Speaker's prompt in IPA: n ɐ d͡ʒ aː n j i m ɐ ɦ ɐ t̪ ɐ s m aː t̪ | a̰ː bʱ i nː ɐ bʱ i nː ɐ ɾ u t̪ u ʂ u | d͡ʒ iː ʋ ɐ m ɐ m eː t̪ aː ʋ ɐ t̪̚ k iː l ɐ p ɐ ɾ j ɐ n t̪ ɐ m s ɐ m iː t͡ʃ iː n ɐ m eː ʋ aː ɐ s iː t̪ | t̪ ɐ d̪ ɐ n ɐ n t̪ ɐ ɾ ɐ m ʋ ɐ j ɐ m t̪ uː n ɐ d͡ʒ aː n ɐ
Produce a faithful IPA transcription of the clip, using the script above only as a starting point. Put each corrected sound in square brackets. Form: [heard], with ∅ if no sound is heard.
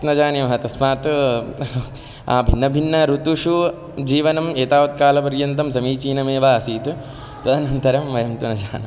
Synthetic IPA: n ɐ d͡ʒ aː n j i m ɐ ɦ ɐ t̪ ɐ s m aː t̪ | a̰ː bʱ i nː ɐ bʱ i nː ɐ ɾ u t̪ u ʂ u | d͡ʒ iː ʋ ɐ [n] ɐ m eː t̪ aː ʋ ɐ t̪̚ k [aː] l ɐ p ɐ ɾ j ɐ n t̪ ɐ m s ɐ m iː t͡ʃ iː n ɐ m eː ʋ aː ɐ s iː t̪ | t̪ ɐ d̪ ɐ n ɐ n t̪ ɐ ɾ ɐ m ʋ ɐ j ɐ m t̪ [u] n ɐ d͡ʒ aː n ɐ